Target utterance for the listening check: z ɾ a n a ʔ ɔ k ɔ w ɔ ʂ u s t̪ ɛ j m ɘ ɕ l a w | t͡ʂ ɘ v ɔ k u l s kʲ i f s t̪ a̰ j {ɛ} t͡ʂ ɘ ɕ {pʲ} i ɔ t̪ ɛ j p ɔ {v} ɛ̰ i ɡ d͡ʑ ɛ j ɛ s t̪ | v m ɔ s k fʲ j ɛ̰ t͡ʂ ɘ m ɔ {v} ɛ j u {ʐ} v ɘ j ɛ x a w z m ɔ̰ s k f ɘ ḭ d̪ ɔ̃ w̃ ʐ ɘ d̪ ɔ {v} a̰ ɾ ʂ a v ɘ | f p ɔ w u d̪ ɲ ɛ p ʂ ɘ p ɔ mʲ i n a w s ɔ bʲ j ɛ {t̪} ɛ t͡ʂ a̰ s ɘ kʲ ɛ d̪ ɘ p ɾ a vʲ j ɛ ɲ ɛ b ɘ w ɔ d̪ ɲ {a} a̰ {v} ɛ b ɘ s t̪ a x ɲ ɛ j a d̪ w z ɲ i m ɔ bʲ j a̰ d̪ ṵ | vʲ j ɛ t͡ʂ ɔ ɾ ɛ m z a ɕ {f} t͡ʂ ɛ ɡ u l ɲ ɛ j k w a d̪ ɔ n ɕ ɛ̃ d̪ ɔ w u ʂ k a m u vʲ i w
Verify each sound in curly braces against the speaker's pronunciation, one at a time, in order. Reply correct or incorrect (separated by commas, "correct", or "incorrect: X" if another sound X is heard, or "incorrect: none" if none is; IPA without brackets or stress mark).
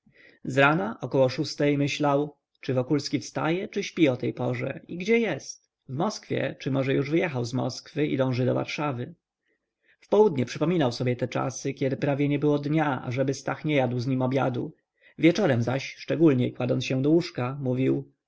correct, correct, incorrect: ʐ, incorrect: ʐ, correct, correct, correct, correct, incorrect: ʐ, incorrect: ʂ